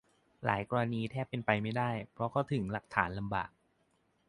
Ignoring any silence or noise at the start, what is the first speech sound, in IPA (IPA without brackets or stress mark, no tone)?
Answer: l